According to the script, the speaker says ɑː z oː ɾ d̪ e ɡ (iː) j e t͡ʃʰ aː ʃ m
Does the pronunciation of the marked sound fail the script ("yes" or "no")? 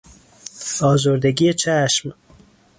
yes